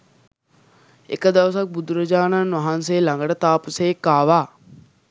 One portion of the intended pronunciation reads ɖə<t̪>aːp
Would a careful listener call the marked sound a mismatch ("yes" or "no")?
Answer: no